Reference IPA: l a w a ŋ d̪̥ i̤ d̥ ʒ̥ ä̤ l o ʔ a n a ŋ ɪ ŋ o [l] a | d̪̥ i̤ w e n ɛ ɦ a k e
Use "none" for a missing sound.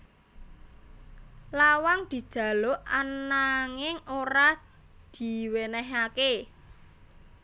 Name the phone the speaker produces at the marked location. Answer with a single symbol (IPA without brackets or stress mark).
ɾ